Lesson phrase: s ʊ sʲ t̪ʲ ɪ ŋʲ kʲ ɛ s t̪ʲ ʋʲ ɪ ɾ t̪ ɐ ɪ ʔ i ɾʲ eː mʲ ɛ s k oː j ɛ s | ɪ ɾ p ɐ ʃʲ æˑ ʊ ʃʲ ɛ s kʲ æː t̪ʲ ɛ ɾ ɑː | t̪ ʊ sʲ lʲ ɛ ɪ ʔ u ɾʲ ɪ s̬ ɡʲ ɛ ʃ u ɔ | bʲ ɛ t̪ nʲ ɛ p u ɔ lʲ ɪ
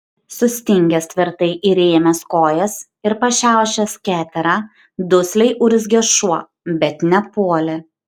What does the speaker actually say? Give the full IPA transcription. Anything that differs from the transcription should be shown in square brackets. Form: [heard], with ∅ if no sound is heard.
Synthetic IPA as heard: s ʊ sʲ t̪ʲ ɪ ŋʲ [ɡʲ] ɛ s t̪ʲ ʋʲ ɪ ɾ t̪ ɐ ɪ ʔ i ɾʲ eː mʲ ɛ s k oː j ɛ s | ɪ ɾ p ɐ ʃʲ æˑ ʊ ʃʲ ɛ s kʲ æː t̪ʲ ɛ ɾ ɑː | [d̪] ʊ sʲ lʲ ɛ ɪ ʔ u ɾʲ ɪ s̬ ɡʲ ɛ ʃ u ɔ | bʲ ɛ t̪ nʲ ɛ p u ɔ lʲ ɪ